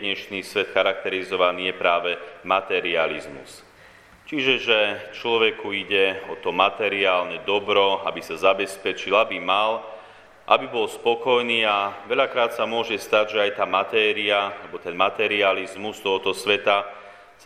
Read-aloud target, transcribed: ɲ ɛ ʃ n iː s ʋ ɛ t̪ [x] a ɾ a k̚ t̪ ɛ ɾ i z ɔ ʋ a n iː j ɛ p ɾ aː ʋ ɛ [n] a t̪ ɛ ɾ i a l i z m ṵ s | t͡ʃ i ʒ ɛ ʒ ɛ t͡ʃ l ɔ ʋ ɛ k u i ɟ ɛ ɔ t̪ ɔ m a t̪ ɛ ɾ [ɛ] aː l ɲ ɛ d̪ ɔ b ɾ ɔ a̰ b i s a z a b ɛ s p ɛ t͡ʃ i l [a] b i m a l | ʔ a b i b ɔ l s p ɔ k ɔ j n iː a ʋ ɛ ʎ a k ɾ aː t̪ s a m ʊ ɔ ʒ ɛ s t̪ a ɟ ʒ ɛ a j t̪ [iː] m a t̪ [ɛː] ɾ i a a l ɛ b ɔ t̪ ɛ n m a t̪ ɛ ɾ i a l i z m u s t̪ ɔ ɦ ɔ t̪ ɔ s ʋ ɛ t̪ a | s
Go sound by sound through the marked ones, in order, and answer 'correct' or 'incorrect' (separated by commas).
correct, incorrect, incorrect, correct, incorrect, correct